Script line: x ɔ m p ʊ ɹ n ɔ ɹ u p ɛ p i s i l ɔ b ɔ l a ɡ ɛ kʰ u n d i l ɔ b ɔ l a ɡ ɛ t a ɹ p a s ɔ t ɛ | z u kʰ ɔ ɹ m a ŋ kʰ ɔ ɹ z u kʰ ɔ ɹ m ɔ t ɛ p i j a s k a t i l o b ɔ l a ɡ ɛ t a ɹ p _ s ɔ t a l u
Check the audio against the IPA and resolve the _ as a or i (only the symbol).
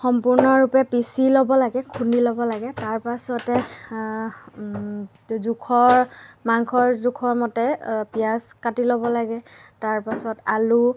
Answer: a